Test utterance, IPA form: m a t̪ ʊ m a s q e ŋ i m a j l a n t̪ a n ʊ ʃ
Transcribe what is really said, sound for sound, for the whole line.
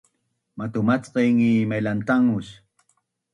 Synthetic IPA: m a t̪ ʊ m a t͡s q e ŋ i m a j l a n t̪ a ŋ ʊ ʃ